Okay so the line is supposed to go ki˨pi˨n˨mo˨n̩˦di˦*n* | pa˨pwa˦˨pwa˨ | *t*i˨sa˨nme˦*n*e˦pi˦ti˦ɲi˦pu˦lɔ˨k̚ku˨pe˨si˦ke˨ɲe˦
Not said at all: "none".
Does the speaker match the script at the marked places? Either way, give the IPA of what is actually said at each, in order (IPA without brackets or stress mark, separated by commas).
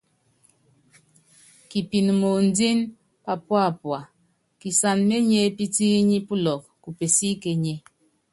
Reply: n, k, ɲ